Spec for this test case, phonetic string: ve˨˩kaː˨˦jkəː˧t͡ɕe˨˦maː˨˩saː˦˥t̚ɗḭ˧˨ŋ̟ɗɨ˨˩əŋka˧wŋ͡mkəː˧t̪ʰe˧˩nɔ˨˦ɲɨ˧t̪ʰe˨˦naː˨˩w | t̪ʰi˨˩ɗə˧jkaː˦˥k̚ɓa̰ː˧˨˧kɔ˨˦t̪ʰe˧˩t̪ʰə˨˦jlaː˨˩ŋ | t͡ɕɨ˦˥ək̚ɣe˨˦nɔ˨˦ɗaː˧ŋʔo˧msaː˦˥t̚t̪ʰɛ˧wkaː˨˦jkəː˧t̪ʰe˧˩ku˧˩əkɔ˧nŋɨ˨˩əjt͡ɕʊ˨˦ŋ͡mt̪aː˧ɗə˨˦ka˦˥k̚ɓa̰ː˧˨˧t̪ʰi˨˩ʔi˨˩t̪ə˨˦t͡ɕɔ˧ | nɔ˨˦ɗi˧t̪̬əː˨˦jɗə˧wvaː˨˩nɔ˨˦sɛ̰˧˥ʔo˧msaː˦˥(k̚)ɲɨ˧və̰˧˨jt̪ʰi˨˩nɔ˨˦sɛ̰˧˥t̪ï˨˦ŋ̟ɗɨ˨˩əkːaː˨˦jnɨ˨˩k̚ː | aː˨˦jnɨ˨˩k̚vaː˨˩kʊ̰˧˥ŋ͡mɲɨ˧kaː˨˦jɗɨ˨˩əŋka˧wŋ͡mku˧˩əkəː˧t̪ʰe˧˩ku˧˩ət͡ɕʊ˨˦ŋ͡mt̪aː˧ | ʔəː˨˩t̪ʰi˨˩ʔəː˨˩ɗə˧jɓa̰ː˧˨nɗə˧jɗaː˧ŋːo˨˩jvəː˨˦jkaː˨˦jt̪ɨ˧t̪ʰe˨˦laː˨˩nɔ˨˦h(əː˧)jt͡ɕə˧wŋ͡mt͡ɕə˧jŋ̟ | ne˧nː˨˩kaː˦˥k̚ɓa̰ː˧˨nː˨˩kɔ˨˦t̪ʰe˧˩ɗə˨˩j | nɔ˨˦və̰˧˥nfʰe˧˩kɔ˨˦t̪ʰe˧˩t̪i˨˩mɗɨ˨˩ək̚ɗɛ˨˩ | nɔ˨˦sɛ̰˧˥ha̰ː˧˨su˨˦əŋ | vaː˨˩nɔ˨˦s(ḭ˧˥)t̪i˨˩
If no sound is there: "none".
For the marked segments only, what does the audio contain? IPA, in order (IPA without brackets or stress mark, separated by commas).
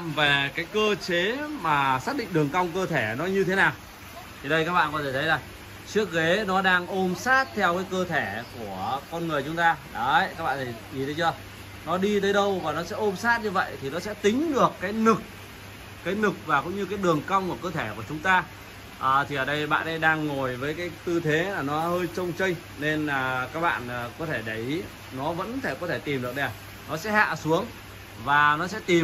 t̚, əː˧, ɛ̰˧˥